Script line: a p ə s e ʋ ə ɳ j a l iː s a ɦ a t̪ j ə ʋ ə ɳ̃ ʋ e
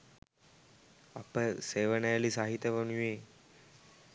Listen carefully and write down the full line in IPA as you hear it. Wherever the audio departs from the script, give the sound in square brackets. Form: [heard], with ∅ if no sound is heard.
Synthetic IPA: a p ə s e ʋ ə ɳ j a l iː s a ɦ [i] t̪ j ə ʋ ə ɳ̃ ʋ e